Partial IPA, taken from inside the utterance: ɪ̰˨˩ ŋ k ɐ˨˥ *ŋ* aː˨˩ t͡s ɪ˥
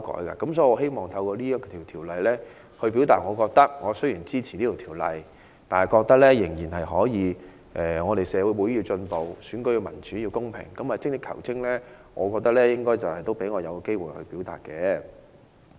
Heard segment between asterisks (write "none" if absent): m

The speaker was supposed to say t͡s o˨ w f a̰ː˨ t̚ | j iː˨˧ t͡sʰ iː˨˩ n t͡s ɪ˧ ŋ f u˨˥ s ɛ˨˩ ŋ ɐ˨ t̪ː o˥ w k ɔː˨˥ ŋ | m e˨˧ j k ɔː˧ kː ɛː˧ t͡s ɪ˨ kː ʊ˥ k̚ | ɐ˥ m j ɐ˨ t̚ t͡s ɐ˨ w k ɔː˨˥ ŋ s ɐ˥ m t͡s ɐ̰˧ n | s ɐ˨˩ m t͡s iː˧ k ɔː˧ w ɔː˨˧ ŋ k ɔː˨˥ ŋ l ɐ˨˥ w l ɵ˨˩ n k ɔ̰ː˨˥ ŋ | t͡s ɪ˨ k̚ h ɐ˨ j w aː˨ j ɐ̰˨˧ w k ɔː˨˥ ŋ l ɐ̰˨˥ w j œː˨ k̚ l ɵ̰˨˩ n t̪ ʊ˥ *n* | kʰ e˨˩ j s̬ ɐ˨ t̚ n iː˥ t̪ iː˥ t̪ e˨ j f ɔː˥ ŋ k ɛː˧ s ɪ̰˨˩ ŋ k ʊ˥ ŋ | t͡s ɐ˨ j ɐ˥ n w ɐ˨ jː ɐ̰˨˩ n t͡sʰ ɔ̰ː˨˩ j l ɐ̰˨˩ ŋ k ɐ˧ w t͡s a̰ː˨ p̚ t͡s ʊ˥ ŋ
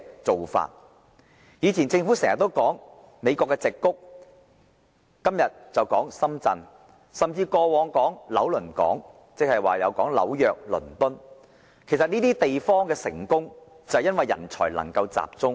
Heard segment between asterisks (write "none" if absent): n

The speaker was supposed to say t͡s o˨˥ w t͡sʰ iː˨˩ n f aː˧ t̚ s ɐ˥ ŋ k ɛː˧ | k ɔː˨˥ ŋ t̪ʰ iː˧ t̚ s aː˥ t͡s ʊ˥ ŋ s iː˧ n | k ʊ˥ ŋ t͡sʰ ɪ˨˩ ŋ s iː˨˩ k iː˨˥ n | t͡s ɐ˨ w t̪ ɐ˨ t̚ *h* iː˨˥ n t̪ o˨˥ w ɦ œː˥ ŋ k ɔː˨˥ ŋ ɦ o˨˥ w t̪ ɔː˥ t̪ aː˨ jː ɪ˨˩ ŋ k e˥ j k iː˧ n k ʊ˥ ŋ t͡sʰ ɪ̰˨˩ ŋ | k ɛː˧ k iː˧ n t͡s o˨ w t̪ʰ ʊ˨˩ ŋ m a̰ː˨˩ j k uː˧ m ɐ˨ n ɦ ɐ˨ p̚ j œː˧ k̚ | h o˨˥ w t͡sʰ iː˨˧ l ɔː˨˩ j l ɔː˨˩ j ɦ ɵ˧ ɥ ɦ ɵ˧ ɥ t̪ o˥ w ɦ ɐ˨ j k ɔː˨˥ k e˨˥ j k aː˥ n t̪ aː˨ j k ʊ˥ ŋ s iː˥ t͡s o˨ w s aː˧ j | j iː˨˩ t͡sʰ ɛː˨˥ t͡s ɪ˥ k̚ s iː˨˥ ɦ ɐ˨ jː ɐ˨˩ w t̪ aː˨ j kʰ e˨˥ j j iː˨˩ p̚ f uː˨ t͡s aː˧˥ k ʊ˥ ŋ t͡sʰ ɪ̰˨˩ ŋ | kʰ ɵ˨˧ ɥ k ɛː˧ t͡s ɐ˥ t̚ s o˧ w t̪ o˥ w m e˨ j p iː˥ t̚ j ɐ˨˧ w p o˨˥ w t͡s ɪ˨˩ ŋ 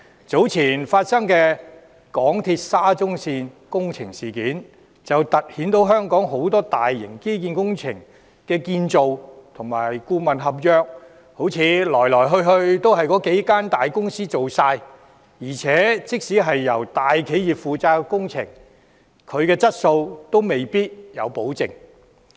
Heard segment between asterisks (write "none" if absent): h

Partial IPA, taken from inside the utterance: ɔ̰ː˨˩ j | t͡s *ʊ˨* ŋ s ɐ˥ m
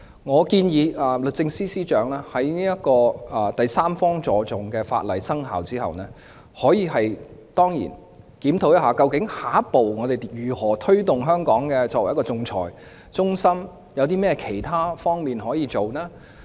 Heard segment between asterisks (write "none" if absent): ʊ˥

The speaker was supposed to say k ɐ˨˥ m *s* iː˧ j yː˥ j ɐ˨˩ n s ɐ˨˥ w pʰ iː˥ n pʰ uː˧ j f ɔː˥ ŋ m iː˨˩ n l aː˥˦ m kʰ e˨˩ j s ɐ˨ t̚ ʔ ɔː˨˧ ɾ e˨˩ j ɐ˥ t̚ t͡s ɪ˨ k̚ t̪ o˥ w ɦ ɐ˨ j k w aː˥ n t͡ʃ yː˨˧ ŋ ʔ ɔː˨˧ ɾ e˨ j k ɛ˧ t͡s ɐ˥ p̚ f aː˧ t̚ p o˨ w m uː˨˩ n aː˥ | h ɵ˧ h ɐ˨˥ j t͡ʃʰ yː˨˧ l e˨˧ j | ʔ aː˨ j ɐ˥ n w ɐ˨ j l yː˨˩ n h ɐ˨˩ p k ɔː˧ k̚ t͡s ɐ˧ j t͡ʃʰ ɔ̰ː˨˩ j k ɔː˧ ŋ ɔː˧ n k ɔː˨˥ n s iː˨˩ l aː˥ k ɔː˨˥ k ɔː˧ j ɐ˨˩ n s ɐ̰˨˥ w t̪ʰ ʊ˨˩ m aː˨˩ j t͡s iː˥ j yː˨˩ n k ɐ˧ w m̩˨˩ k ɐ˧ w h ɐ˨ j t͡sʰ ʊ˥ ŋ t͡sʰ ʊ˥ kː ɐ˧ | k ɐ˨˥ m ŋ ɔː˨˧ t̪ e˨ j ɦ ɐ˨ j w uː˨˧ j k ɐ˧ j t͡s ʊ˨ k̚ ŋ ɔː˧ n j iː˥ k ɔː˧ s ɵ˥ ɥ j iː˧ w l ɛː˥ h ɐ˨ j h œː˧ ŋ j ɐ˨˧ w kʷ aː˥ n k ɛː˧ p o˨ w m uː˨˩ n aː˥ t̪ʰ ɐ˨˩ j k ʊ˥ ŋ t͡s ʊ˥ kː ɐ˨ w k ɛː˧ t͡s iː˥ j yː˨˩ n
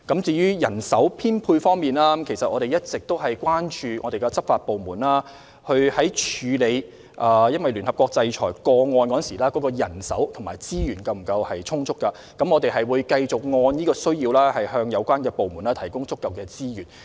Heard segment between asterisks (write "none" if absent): t͡s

